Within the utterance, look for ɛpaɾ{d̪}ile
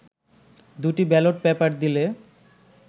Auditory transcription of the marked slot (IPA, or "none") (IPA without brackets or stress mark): d̪